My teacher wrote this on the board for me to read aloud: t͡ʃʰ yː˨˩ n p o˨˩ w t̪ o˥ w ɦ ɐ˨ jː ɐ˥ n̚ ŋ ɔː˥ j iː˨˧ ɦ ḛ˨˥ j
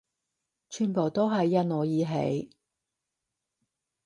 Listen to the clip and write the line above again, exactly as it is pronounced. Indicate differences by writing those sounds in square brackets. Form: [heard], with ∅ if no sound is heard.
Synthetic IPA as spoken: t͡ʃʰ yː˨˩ n p o˨˩ w t̪ o˥ w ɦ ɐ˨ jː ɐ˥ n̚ ŋ [ɔː˨˧] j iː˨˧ ɦ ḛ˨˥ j